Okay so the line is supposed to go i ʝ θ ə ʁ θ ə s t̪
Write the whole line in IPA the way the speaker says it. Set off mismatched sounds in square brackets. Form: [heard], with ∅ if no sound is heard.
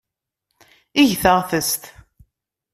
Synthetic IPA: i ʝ θ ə ʁ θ ə s t̪